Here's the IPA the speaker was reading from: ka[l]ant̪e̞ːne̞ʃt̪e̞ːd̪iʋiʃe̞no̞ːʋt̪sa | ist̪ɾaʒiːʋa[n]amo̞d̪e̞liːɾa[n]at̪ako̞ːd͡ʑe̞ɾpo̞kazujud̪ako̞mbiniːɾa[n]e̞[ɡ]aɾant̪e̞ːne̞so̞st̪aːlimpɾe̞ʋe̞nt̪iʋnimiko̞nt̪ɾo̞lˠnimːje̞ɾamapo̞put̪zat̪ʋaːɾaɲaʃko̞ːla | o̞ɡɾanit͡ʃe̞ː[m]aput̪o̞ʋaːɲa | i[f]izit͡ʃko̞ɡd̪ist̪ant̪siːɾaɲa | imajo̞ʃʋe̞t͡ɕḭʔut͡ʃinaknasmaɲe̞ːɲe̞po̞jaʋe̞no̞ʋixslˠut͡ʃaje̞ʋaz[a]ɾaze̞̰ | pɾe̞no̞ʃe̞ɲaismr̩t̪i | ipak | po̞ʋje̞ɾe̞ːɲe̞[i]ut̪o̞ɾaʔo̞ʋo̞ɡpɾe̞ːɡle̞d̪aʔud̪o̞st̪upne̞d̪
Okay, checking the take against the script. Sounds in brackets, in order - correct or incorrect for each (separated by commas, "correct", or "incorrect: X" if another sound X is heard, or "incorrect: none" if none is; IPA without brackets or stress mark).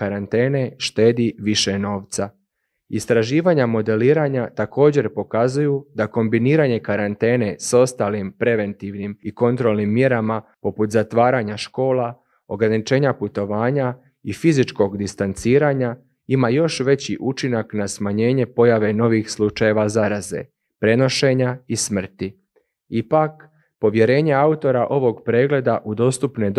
incorrect: ɾ, incorrect: ɲ, incorrect: ɲ, incorrect: ɲ, incorrect: k, incorrect: ɲ, correct, correct, incorrect: a